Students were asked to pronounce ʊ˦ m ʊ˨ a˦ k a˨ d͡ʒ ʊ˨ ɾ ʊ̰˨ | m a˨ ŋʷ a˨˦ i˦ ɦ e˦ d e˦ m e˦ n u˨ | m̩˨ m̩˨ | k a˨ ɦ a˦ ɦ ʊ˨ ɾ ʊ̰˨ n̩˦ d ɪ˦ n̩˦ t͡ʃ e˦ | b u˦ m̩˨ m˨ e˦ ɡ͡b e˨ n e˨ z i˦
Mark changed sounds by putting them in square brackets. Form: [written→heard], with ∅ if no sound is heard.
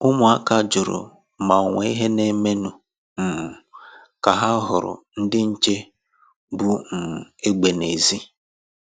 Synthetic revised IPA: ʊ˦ m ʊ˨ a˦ k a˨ d͡ʒ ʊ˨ ɾ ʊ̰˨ | m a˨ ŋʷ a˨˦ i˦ ɦ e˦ [d→n] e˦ m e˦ n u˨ | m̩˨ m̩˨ | k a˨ ɦ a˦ ɦ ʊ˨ ɾ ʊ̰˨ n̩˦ d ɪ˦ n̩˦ t͡ʃ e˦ | b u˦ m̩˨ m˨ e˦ ɡ͡b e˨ n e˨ z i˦